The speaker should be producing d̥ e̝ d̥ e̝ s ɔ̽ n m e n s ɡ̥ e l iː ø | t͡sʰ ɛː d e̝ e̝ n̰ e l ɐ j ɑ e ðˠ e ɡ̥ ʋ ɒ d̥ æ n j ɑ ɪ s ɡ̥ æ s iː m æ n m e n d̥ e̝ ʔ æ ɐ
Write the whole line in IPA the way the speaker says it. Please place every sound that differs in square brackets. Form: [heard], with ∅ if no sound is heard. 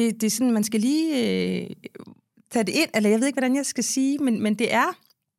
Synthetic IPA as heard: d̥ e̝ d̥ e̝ s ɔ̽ n m [æ] n s ɡ̥ [æ] l iː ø | t͡sʰ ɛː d e̝ e̝ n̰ e l ɐ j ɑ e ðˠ e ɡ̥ ʋ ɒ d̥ æ n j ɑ ɪ s ɡ̥ æ s iː m [e] n m e n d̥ e̝ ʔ æ ɐ